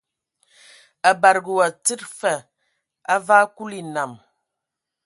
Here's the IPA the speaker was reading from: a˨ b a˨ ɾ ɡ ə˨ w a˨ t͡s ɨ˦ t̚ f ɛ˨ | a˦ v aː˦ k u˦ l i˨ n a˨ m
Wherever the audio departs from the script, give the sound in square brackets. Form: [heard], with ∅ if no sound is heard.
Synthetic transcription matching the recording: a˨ b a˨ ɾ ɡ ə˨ w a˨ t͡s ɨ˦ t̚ f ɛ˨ | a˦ v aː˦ k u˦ l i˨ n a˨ m